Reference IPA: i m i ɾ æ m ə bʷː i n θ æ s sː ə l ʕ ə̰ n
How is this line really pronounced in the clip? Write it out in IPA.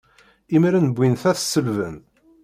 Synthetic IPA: i m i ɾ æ n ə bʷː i n θ æ θ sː ə l v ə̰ n